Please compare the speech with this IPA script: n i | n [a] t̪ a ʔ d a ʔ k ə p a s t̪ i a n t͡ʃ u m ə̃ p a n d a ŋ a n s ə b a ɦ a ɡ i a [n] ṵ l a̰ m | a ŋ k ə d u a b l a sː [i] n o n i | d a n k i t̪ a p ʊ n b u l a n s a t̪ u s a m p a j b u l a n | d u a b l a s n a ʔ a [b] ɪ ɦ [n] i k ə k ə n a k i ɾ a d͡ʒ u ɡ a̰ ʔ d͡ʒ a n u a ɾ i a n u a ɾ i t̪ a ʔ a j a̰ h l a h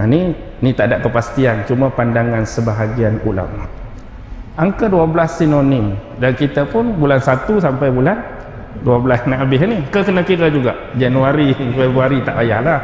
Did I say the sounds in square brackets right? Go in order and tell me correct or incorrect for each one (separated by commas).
incorrect, correct, correct, correct, correct